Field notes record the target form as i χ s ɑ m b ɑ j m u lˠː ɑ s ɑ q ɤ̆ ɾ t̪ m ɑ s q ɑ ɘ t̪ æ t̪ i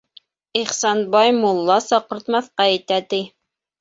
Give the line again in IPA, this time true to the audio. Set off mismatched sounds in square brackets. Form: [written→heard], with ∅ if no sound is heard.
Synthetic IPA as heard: i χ s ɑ [m→n] b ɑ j m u lˠː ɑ s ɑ q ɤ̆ ɾ t̪ m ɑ [s→θ] q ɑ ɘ t̪ æ t̪ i